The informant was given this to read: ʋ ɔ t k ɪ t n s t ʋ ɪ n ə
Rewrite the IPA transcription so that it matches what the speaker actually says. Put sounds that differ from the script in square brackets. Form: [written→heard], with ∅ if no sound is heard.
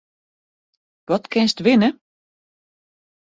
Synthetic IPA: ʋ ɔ t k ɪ [t→∅] n s t ʋ ɪ n ə